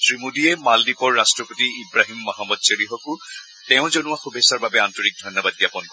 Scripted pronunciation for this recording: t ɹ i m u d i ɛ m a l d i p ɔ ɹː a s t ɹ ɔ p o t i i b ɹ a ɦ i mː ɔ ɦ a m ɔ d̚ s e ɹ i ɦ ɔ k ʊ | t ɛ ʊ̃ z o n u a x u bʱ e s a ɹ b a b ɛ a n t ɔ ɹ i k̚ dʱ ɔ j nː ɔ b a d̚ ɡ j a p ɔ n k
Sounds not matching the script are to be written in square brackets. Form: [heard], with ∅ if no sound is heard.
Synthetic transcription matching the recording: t ɹ i m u d i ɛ m a l d i p ɔ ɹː a s t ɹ ɔ p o t i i b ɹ a ɦ i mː ɔ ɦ a m ɔ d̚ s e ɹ i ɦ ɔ k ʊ | t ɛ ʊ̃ z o n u a x u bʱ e s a ɹ b a b ɛ a n t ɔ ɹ i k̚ dʱ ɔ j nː ɔ b a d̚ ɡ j a p ɔ n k